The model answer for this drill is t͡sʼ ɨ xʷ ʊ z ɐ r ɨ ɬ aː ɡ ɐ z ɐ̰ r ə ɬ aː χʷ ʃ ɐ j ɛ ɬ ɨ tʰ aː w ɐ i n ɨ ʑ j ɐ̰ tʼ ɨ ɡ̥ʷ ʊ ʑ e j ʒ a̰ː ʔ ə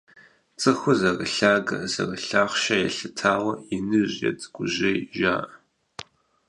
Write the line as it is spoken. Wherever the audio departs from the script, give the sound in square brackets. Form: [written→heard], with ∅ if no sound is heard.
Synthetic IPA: t͡sʼ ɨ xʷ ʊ z ɐ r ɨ ɬ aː ɡ ɐ z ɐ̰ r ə ɬ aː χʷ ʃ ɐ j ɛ ɬ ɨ tʰ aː w ɐ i n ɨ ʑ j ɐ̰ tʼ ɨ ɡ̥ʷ ʊ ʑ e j ʒ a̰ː ʔ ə